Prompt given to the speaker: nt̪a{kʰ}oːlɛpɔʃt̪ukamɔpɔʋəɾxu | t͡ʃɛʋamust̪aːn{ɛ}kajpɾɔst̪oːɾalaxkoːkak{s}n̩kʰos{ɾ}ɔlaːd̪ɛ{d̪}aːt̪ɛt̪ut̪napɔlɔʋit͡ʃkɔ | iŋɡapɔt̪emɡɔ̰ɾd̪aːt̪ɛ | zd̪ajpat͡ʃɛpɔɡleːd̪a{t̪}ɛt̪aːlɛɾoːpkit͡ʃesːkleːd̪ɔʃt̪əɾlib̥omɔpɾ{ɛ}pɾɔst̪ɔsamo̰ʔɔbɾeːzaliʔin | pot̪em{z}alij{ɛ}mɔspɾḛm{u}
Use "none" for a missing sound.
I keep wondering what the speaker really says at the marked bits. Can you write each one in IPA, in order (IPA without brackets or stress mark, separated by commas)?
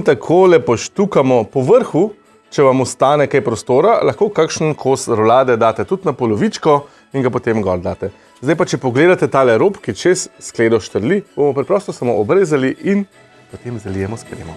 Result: kʰ, ɛ, ʃ, ɾ, d̪, t̪, ɛ, z, ɛ, ɔ